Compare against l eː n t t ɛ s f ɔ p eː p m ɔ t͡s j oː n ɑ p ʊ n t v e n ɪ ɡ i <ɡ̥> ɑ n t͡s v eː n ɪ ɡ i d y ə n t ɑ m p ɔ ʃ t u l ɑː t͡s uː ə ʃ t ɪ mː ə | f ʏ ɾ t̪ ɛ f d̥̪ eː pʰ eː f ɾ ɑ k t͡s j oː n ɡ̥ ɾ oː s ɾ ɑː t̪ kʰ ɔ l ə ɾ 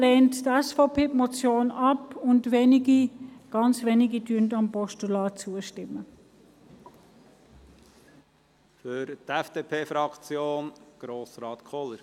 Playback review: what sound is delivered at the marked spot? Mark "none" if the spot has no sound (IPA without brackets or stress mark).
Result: ɡ̥